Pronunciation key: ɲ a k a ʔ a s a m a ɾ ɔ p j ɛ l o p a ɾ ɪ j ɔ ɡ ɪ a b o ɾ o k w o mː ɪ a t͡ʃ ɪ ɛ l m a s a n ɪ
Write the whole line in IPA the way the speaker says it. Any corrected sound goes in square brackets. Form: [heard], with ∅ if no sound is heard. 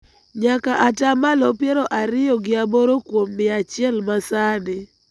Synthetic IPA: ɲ a k a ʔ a [t] a m a [l] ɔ p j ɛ [ɾ] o [ʔ] a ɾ ɪ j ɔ ɡ ɪ a b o ɾ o k w o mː ɪ a t͡ʃ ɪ ɛ l m a s a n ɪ